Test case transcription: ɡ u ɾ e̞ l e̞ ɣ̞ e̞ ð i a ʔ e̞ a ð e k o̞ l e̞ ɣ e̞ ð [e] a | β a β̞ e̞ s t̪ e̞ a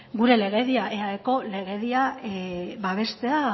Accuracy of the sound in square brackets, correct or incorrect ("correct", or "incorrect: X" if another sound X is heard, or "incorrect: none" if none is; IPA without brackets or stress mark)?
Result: incorrect: i